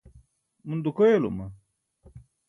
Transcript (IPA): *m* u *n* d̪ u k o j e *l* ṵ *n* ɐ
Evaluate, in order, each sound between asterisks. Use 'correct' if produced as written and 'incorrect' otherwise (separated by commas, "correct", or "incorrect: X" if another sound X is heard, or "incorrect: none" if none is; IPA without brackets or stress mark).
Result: correct, correct, correct, incorrect: m